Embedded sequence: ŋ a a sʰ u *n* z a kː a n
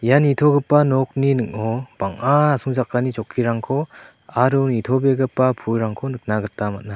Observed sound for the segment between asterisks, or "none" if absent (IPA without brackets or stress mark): ŋ